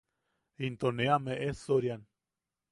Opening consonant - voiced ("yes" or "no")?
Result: yes